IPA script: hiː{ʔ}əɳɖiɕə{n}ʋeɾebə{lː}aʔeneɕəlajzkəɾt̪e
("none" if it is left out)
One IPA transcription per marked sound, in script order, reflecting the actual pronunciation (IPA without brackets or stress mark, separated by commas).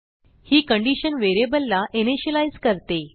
k, n, lː